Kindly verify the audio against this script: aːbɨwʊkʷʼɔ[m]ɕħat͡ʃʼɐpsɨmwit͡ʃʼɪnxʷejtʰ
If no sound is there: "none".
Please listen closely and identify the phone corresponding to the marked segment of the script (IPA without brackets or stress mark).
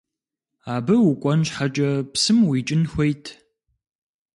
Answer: n